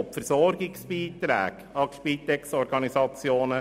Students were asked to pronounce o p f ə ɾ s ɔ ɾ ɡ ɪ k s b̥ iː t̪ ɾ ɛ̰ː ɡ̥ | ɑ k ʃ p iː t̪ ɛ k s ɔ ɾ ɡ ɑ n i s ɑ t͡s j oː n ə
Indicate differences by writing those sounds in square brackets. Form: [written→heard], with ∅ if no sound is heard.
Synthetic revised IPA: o p f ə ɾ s ɔ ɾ ɡ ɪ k s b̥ iː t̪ ɾ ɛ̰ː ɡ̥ | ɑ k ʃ p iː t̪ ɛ k s ɔ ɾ ɡ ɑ n i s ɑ t͡s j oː n ə